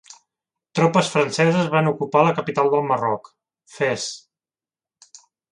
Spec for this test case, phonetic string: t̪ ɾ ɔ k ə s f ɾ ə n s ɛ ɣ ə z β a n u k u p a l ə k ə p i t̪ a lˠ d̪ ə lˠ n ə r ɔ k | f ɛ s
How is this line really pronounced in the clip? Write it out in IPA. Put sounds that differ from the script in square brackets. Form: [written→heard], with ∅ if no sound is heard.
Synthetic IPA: t̪ ɾ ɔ [k→p] ə s f ɾ ə n s ɛ [ɣ→z] ə z β a n u k u p a l ə k ə p i t̪ a lˠ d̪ ə lˠ [n→m] ə r ɔ k | f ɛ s